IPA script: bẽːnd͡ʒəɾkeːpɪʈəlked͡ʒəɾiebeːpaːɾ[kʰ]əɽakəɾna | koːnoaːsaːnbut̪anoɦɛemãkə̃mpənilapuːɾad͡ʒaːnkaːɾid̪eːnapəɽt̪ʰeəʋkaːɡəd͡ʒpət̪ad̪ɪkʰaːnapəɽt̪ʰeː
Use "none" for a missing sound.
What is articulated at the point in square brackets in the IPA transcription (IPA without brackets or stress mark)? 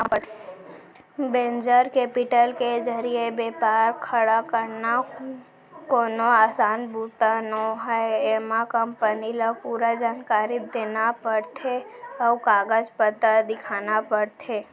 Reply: kʰ